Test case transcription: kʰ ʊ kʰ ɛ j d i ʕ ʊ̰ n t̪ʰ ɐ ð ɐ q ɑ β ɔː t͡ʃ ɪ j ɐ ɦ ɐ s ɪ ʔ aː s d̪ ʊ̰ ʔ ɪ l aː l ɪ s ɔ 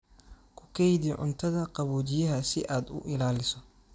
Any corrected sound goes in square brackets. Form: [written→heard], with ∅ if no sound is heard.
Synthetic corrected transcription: kʰ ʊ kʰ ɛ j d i ʕ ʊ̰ n t̪ʰ ɐ ð ɐ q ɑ β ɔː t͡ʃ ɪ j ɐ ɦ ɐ s ɪ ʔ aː [s→∅] d̪ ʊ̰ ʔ ɪ l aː l ɪ s ɔ